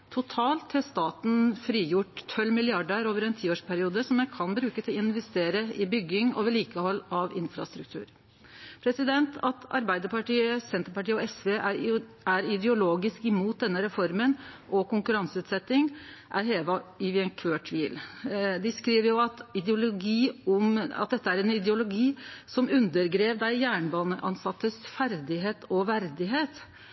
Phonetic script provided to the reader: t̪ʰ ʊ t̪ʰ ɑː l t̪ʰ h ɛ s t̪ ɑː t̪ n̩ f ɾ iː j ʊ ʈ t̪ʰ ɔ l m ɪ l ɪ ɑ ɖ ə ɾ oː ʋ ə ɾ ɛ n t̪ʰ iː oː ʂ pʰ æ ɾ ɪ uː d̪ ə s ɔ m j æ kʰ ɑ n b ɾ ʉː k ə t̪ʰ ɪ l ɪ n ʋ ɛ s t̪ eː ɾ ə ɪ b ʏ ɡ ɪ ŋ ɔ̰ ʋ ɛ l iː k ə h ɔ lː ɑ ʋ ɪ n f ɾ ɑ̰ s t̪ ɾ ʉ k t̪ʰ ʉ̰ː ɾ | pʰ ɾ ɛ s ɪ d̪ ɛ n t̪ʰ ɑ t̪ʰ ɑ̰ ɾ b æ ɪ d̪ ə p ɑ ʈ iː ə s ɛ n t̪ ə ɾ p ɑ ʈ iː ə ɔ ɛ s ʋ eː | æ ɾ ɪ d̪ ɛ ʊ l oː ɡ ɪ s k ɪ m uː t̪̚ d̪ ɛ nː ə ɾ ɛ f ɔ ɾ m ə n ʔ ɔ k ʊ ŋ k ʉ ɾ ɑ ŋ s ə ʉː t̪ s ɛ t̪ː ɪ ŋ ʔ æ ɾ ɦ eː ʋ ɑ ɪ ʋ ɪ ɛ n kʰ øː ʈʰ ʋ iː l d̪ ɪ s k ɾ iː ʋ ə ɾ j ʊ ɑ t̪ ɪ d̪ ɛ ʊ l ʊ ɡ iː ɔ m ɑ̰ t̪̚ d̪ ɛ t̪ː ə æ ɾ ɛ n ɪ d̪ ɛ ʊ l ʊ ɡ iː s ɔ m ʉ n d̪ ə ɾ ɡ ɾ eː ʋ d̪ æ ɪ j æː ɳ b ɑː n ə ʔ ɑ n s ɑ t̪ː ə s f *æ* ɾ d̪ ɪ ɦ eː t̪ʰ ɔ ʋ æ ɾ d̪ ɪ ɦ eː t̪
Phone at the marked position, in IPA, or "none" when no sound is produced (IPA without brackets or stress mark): æ